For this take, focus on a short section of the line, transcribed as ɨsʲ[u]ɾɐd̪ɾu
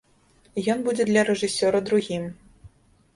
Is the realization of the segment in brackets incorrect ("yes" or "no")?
yes